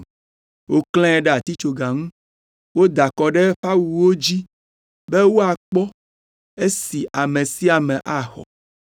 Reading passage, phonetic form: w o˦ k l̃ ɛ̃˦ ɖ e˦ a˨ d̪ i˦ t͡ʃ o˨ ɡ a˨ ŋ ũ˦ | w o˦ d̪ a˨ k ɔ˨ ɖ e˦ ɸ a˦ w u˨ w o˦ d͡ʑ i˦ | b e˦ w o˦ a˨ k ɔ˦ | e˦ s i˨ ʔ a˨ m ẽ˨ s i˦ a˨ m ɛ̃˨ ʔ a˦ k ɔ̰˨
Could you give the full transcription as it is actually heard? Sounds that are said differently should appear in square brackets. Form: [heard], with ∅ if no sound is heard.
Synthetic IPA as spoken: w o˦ k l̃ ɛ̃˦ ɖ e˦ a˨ [t̪] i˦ t͡ʃ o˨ ɡ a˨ ŋ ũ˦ | w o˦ d̪ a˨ k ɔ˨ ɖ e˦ ɸ a˦ w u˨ w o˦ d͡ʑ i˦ | b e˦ w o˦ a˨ [k͡p] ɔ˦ | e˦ s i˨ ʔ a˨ m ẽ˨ s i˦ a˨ m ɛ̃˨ ʔ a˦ [x] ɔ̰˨